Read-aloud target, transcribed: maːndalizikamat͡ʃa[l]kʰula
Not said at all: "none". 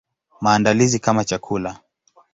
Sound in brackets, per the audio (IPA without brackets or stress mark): none